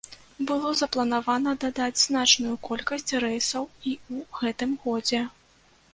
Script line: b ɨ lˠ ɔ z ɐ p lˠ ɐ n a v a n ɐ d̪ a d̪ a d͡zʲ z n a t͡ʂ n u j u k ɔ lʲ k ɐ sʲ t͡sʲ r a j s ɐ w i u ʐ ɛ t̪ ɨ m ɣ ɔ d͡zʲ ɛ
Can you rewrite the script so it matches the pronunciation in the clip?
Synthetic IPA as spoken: b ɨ lˠ ɔ z ɐ p lˠ ɐ n a v a n ɐ d̪ a d̪ a d͡zʲ z n a t͡ʂ n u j u k ɔ lʲ k ɐ sʲ t͡sʲ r ɛ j s ɐ w i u ɣ ɛ t̪ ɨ m ɣ ɔ d͡zʲ ɛ